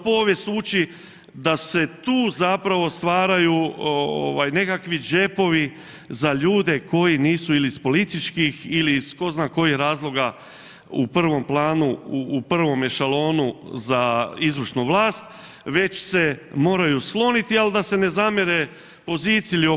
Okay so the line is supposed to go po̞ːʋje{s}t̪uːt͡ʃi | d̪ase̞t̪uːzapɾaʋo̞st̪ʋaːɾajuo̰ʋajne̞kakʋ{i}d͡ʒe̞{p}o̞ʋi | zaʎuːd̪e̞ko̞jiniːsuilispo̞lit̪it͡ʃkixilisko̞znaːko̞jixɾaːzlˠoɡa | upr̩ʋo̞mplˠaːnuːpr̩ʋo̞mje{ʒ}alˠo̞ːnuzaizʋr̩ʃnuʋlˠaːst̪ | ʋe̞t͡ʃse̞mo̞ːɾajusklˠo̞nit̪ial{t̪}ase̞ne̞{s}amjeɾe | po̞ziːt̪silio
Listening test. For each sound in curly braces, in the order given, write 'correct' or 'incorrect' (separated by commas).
correct, correct, correct, incorrect, incorrect, incorrect